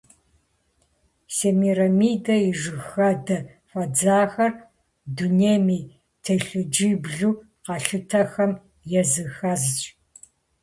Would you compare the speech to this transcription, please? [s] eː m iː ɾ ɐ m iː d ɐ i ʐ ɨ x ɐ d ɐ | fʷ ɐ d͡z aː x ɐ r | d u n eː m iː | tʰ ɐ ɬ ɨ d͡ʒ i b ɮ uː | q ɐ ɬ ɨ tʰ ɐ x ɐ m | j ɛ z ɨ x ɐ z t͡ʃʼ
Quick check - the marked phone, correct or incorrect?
correct